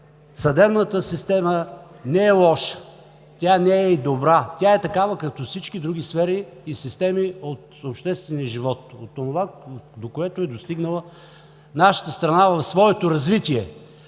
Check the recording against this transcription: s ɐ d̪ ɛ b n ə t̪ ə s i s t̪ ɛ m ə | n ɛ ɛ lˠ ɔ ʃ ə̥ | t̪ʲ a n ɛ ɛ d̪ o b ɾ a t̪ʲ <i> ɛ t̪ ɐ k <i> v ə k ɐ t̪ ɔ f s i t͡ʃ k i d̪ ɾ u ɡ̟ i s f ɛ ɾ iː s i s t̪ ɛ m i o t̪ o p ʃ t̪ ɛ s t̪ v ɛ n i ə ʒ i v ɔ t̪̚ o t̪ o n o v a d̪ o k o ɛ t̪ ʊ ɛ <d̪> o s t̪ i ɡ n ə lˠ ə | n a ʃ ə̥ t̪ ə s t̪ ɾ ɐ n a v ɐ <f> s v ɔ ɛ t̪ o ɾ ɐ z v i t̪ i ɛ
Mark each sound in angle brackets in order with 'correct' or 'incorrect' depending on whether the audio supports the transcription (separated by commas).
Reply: incorrect, incorrect, correct, correct